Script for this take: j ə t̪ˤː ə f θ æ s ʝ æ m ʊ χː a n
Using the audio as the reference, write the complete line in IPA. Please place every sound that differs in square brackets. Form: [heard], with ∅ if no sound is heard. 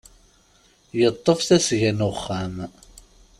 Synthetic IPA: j ə t̪ˤː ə f θ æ s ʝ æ [n] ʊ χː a [m]